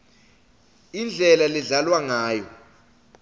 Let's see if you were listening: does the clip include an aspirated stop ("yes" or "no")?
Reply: no